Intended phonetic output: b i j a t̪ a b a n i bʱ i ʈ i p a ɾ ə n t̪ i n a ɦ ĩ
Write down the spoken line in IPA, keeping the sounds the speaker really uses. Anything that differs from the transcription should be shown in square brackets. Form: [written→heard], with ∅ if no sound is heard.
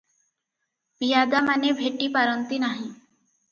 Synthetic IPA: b i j a [t̪→d̪] a [b→m] a n [i→e] bʱ [i→e] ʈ i p a ɾ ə n t̪ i n a ɦ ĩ